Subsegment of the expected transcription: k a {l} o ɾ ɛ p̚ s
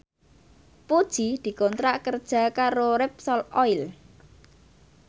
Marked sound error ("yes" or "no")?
yes